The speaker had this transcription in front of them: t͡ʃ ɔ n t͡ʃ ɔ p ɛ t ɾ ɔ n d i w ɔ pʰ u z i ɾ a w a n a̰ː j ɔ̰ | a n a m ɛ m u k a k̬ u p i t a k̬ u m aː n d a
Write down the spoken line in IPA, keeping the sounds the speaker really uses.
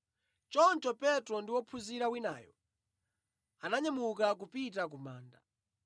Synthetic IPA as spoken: t͡ʃ ɔ n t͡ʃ ɔ p ɛ t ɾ ɔ n d i w ɔ pʰ u z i ɾ a w i n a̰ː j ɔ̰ | a n a ɲ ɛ m u k a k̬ u p i t a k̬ u m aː n d a